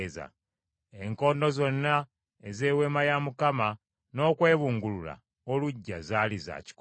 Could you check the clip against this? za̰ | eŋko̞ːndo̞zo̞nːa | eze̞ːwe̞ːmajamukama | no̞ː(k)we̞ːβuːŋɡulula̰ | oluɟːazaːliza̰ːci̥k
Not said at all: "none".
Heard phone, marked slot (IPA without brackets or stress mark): k